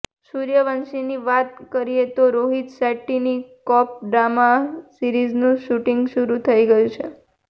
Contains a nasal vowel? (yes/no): yes